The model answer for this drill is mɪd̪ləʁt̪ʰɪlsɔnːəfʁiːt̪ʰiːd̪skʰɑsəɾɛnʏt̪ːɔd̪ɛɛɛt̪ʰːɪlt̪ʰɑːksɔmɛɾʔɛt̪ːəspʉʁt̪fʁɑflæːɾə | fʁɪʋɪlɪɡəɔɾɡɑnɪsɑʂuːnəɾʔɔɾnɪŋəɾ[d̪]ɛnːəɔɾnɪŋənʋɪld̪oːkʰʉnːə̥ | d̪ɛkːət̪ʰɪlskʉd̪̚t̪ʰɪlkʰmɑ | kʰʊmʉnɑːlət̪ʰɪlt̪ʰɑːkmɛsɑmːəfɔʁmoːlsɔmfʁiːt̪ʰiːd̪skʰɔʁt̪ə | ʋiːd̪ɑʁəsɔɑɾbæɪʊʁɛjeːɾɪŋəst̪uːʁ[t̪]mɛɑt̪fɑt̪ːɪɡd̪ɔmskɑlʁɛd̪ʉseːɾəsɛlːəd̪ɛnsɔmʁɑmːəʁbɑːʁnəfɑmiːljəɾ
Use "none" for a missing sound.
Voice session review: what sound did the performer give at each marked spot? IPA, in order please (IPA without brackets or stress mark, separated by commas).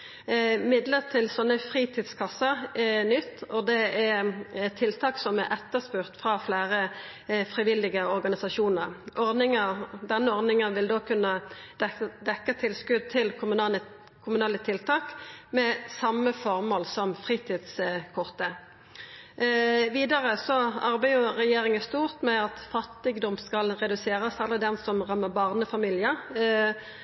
d̪, t̪